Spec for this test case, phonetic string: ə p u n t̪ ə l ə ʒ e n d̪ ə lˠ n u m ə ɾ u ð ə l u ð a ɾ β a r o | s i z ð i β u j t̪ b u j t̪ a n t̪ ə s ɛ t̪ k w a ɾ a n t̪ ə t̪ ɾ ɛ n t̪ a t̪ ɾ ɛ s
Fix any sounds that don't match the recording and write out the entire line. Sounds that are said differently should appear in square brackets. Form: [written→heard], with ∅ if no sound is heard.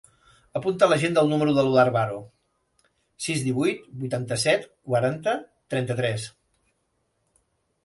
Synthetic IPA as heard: ə p u n t̪ ə l ə ʒ e n d̪ ə lˠ n u m ə ɾ u ð ə l u ð a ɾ β a [r→ɾ] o | s i z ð i β u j t̪ b u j t̪ a n t̪ ə s ɛ t̪ k w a ɾ a n t̪ ə t̪ ɾ ɛ n t̪ [a→ə] t̪ ɾ ɛ s